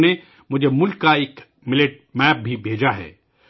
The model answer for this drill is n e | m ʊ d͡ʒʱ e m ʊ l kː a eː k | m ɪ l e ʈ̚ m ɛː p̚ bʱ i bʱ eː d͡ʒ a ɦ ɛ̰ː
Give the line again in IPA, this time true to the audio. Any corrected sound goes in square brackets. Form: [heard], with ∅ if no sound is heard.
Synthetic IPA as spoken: n e | m ʊ d͡ʒʱ e m ʊ l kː a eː k | m ɪ l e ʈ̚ m ɛː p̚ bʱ i bʱ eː d͡ʒ a ɦ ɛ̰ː